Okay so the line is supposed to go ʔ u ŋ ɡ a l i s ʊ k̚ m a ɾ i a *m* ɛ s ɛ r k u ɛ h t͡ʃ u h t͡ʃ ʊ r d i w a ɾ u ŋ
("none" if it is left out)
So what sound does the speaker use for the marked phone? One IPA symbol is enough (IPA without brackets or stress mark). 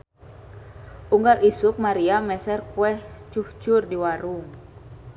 m